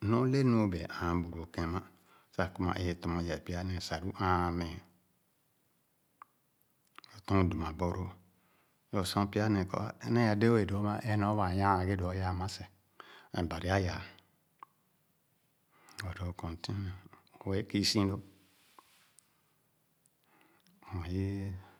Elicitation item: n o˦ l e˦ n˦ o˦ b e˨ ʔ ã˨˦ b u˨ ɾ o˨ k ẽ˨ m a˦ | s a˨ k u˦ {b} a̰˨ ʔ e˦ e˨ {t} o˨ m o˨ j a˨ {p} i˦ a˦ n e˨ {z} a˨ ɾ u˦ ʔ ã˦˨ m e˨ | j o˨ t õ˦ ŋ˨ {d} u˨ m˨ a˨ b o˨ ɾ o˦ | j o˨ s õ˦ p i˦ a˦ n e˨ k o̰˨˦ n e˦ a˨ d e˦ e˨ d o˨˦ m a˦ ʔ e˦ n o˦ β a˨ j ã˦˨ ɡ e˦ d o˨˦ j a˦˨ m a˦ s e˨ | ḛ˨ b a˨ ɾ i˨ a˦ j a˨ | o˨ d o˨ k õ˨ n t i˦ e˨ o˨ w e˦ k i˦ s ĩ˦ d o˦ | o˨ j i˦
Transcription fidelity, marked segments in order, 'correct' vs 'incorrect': incorrect, correct, correct, incorrect, correct

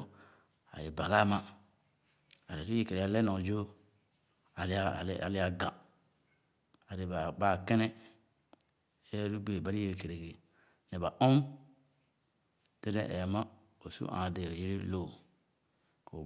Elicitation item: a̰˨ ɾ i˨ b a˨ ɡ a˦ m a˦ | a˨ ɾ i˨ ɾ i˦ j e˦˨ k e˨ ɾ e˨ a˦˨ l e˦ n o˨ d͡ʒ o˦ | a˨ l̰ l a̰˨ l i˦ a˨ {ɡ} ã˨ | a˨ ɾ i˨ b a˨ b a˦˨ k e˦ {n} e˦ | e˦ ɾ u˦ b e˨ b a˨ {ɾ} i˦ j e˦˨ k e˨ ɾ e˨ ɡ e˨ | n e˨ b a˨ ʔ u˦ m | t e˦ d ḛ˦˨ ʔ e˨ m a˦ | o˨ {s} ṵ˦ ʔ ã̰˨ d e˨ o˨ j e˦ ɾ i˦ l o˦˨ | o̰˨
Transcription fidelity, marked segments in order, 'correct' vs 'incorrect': correct, correct, correct, correct

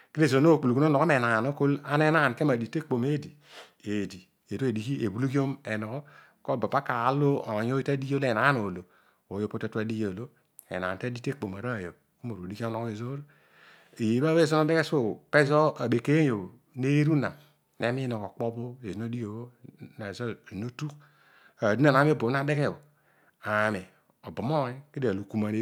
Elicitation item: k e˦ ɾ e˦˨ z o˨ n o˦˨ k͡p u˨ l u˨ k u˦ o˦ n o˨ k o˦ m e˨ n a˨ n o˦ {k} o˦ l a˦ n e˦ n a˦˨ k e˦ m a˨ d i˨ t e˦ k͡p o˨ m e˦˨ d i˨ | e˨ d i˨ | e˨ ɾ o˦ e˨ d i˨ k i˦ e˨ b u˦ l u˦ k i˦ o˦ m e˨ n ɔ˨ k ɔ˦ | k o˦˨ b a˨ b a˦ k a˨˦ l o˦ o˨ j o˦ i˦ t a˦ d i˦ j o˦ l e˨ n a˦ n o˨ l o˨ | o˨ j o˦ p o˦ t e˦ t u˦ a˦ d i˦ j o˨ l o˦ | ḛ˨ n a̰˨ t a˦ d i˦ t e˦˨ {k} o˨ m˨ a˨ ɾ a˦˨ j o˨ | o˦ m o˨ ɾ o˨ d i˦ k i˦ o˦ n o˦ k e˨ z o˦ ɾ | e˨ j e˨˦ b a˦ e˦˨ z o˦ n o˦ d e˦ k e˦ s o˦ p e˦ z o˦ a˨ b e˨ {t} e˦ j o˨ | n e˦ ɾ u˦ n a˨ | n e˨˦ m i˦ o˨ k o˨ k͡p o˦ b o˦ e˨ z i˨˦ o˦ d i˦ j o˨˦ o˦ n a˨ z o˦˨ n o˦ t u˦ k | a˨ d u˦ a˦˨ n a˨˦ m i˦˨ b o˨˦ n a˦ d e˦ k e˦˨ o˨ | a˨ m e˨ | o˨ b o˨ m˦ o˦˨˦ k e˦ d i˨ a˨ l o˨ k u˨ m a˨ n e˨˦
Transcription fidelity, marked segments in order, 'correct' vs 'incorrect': correct, incorrect, incorrect

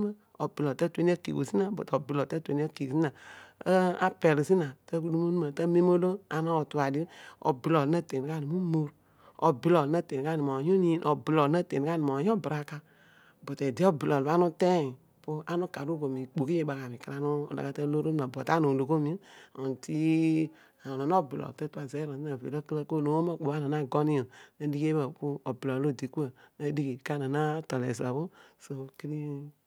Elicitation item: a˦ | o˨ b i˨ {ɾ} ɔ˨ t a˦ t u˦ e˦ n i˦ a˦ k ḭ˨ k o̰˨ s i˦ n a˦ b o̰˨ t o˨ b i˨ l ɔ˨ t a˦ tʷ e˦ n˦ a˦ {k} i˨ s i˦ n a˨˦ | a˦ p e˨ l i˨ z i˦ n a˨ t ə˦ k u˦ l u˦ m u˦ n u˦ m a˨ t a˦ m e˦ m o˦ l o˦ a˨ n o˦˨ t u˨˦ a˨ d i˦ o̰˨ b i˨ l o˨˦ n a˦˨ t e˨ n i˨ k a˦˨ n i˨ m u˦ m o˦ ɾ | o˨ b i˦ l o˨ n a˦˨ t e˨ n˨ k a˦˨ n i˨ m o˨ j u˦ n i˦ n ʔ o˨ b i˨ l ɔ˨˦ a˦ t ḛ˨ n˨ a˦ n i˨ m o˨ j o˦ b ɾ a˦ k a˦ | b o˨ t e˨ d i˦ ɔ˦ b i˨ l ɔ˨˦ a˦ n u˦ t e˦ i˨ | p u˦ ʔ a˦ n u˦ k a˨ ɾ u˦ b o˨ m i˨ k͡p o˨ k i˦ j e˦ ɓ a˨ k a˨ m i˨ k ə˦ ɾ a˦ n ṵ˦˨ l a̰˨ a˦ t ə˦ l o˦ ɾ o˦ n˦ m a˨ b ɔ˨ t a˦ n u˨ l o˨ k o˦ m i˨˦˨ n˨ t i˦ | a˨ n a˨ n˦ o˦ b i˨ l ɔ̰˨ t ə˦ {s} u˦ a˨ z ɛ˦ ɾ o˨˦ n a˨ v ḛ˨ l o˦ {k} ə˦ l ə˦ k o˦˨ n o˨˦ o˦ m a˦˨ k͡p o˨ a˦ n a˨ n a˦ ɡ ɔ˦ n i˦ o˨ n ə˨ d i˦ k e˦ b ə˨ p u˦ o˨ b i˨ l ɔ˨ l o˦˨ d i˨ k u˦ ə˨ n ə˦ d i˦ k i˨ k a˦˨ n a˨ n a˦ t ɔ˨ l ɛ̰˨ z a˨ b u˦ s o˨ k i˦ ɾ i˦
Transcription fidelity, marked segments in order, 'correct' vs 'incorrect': incorrect, correct, incorrect, correct

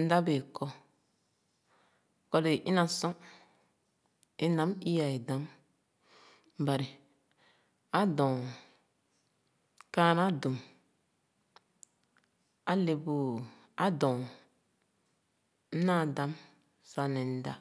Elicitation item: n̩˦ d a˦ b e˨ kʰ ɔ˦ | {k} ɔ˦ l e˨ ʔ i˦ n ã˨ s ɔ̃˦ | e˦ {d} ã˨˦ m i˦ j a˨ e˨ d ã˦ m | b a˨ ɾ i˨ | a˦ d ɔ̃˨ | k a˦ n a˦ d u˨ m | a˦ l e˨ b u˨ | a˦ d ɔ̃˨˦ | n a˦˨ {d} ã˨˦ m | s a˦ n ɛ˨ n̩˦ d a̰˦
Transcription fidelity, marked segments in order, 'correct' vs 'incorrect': correct, incorrect, correct

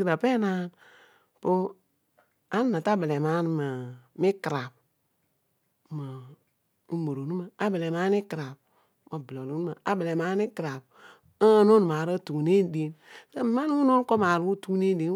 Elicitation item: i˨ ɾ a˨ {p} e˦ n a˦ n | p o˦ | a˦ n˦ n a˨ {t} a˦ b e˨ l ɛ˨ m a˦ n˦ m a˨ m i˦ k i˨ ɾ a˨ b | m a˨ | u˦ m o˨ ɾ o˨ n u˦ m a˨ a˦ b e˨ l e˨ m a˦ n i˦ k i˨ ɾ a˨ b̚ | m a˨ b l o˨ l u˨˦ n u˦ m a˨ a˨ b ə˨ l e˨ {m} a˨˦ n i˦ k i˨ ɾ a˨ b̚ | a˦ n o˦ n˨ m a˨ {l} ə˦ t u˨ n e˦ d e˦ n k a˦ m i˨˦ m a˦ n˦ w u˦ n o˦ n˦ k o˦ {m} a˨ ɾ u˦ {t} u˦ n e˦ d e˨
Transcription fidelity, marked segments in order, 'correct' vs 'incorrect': correct, correct, correct, incorrect, correct, correct

